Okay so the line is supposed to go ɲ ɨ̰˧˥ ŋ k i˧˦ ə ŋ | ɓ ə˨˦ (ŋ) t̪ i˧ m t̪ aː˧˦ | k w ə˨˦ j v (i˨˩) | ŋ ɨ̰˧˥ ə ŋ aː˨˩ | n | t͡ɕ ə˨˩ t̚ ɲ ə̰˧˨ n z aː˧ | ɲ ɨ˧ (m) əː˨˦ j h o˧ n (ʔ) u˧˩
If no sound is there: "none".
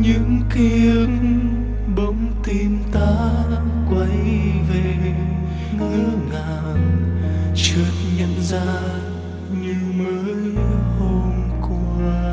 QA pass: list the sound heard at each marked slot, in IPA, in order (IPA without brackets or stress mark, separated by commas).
ŋ͡m, e˨˩, m, k